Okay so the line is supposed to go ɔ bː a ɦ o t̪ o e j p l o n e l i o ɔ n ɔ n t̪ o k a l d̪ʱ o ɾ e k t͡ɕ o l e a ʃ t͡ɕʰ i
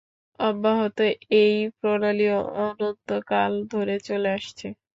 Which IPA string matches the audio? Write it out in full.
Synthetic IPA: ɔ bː a ɦ o t̪ o e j p ɾ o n a l i o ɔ n o n t̪ o k a l d̪ʱ o ɾ e t͡ɕ o l e a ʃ t͡ɕʰ e